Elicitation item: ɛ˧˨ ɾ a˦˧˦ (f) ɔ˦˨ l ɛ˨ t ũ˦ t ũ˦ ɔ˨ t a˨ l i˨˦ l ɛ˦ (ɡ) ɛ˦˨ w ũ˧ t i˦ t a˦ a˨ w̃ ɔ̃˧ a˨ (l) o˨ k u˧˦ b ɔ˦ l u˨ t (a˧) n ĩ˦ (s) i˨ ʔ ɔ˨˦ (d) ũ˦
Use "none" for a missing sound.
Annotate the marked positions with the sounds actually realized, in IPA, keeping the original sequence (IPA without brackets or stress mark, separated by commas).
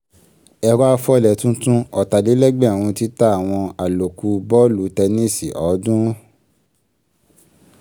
f, ɡ͡b, l, ɛ˧, s, d